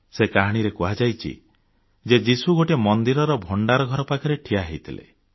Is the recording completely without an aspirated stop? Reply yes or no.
no